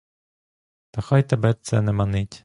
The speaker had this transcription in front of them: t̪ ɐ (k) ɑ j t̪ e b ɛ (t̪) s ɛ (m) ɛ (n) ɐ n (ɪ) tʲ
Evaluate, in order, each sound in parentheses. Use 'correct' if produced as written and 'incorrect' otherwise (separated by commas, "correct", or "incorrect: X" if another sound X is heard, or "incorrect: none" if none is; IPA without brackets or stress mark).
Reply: incorrect: x, correct, incorrect: n, incorrect: m, correct